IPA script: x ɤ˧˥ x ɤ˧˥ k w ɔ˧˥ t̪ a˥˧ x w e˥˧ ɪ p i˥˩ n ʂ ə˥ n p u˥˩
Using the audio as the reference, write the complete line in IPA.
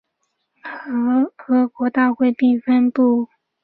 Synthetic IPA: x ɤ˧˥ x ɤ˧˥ k w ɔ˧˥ t̪ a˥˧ x w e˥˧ ɪ p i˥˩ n f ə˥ n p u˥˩